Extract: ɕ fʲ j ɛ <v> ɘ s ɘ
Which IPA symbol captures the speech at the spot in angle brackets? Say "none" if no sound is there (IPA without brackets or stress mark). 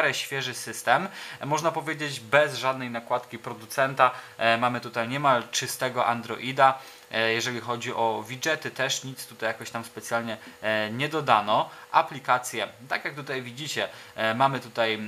ʐ